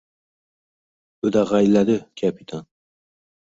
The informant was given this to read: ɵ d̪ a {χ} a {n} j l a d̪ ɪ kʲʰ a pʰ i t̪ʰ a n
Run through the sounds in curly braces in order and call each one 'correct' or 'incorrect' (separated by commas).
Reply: incorrect, incorrect